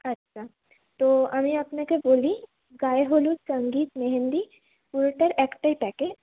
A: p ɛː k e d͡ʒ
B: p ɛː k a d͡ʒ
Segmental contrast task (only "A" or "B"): A